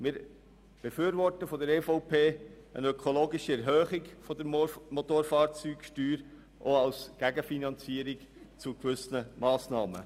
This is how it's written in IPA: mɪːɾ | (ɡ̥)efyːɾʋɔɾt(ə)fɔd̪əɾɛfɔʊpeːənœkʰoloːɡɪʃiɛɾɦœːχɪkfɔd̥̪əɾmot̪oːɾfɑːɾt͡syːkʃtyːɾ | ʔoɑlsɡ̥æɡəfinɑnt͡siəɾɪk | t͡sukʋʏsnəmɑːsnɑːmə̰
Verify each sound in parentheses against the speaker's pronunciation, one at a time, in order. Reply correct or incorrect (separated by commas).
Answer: incorrect, correct